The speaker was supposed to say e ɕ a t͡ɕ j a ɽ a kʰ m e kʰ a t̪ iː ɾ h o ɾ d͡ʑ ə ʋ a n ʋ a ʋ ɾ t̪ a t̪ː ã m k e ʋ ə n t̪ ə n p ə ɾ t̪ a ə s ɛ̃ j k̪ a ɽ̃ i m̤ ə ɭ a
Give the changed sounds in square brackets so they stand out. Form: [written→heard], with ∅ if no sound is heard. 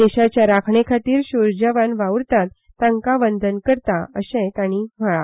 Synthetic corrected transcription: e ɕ a t͡ɕ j a [ɽ→ɾ] a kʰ [m→ɳ] e kʰ a t̪ iː ɾ [h→ɕ] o ɾ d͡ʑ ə ʋ a n ʋ a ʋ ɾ t̪ a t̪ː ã [m→ŋ] k [e→a] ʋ ə n [t̪→d̪] ə n [p→k] ə ɾ t̪ a ə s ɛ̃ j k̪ a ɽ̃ i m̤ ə ɭ a